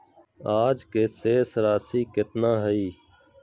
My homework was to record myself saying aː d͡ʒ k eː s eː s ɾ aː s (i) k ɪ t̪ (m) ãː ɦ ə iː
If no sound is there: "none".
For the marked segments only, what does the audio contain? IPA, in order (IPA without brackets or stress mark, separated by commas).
iː, n